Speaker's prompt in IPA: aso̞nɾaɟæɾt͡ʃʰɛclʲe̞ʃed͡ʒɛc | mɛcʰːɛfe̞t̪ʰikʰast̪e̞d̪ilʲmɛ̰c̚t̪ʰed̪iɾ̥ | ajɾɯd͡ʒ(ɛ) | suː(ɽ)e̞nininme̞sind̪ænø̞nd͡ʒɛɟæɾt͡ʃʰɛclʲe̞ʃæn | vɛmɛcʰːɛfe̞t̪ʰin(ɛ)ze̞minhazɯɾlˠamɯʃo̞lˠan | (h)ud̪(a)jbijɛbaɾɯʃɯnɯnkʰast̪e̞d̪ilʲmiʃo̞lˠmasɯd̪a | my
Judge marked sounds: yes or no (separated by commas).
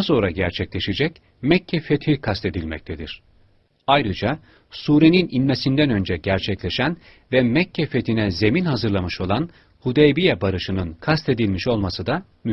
no, no, yes, yes, no